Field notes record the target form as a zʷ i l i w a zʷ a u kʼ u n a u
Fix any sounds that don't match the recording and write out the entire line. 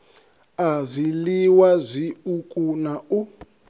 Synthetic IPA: a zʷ i l i w a zʷ i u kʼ u n a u